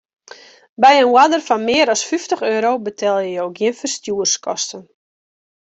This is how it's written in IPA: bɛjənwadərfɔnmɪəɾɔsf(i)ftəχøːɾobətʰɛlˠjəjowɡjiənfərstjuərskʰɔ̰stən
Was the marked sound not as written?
yes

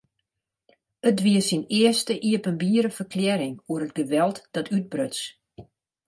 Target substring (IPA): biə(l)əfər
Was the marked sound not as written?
yes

